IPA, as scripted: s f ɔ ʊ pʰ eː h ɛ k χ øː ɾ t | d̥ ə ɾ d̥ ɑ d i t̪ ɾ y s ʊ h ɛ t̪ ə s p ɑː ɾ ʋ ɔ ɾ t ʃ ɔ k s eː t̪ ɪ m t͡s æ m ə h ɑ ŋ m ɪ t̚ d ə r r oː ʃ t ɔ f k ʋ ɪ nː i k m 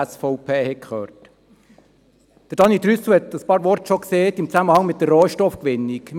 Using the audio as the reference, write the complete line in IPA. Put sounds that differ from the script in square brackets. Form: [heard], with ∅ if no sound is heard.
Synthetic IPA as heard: s f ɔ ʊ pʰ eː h ɛ k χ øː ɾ t | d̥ ə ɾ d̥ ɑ [n] i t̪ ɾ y s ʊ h ɛ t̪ ə s p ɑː ɾ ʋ ɔ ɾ t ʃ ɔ k s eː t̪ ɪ m t͡s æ m ə h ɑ ŋ m ɪ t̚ d ə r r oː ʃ t ɔ f k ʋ ɪ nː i k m